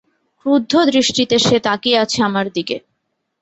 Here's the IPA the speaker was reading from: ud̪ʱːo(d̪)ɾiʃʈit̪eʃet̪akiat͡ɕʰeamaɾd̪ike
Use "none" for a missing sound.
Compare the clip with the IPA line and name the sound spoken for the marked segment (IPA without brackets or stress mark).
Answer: d̪